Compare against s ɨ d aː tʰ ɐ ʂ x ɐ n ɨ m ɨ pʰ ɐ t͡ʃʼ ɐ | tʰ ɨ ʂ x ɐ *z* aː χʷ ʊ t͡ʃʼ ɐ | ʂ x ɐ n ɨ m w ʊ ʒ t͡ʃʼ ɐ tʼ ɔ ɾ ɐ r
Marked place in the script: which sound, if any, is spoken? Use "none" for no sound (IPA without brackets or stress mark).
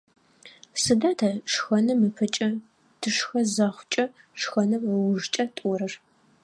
z